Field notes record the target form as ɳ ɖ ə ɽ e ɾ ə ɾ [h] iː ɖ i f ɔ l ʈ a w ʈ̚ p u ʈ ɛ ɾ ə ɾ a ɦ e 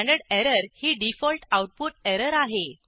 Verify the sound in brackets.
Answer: correct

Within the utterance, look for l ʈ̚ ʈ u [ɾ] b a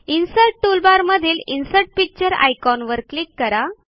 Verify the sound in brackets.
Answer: incorrect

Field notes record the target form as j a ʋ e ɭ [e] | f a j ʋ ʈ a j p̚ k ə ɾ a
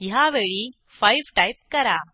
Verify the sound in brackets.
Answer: incorrect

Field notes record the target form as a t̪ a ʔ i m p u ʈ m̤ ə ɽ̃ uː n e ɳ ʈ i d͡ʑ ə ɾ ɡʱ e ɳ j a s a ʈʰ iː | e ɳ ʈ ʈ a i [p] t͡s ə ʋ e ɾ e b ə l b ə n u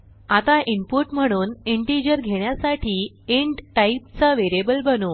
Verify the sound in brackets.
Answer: correct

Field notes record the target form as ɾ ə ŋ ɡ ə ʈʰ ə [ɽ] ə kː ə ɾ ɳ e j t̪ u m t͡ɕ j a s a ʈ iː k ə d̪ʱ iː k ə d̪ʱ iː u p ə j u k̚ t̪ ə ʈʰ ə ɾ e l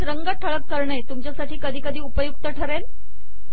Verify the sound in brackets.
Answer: incorrect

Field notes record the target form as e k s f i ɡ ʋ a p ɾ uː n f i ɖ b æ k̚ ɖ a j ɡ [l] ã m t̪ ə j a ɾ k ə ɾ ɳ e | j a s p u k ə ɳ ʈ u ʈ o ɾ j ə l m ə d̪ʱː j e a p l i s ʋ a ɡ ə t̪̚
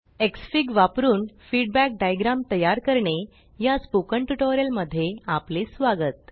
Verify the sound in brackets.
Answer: incorrect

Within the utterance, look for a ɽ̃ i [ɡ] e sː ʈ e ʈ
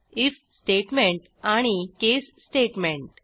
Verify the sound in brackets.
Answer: incorrect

